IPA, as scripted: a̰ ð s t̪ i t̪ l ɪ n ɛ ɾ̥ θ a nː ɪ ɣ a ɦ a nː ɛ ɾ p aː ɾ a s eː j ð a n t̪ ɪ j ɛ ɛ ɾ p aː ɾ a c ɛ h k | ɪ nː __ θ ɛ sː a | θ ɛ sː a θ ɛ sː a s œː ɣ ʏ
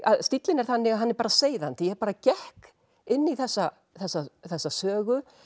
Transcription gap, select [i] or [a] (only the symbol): i